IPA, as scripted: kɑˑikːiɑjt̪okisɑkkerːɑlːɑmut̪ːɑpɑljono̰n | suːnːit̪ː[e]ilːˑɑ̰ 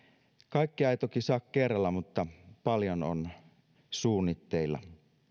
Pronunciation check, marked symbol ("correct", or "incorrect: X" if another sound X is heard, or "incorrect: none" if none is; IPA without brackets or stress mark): correct